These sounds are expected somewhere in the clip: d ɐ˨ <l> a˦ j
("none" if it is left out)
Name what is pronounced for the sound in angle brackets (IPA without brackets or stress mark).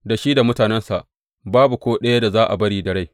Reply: ɽ